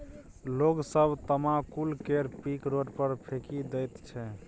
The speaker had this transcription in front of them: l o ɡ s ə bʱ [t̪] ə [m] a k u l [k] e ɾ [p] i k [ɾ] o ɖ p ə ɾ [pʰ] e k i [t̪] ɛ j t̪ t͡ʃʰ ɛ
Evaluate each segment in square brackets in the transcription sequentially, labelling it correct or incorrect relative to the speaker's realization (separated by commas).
correct, correct, correct, correct, correct, correct, incorrect